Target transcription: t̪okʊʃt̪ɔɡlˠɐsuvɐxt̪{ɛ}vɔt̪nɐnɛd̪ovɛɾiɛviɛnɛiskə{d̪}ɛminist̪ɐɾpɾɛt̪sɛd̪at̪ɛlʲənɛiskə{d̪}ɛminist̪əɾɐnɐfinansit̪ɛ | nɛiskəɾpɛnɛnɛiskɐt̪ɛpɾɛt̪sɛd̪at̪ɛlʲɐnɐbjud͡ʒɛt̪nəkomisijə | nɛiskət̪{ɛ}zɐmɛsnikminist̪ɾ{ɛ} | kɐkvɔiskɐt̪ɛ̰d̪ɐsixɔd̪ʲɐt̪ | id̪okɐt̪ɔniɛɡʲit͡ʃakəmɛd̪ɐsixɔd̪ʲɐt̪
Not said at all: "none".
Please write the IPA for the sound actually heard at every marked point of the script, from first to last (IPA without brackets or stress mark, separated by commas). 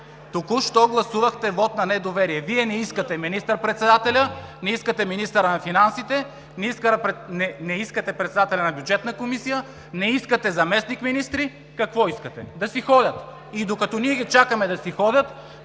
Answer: ɛ, t̪, t̪, ɛ, i